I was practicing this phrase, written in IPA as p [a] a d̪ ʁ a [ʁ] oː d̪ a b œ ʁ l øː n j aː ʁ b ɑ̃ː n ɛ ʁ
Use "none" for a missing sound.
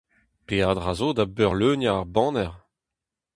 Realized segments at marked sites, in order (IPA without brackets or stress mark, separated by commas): e, z